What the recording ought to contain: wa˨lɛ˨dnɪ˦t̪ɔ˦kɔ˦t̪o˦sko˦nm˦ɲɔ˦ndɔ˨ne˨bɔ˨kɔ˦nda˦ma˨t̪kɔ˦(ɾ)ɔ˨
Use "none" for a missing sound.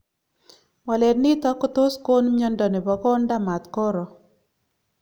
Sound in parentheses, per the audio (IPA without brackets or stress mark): ɾ